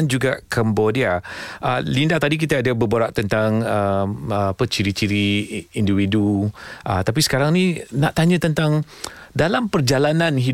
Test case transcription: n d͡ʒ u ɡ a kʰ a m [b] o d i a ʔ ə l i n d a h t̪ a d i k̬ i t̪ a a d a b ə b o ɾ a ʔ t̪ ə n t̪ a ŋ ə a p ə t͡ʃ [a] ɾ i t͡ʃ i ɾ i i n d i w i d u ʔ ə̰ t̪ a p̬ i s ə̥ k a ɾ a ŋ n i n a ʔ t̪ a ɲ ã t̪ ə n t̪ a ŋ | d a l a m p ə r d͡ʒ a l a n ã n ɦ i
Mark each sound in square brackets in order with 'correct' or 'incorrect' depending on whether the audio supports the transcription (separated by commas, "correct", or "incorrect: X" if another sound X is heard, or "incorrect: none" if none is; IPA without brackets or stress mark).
correct, incorrect: i